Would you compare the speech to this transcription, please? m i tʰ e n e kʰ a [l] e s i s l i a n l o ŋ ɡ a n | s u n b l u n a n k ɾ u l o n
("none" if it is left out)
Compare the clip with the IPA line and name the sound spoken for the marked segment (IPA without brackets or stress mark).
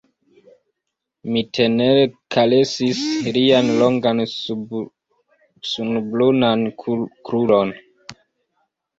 l